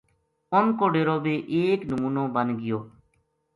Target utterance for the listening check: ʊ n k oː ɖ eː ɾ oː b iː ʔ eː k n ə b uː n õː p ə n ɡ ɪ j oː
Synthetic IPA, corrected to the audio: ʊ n k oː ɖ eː ɾ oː b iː ʔ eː k n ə m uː n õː b ə n ɡ ɪ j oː